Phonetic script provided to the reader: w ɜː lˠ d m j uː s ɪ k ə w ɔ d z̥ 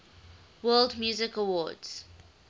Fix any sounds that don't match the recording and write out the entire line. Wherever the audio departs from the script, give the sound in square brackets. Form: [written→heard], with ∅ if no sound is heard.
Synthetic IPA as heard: w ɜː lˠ d m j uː [s→z] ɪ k ə w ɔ d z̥